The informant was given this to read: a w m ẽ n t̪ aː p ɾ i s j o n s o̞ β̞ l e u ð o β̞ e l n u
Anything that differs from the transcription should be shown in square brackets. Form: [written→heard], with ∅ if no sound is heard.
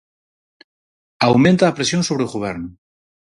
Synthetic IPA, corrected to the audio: a w m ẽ n t̪ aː p ɾ [i→e] s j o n s o̞ β̞ [l→ɾ] e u [ð→ɣ] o β̞ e [l→ɾ] n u